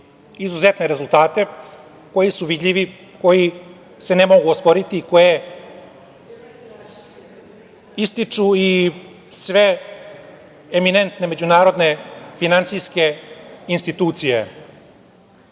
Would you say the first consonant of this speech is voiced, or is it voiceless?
voiced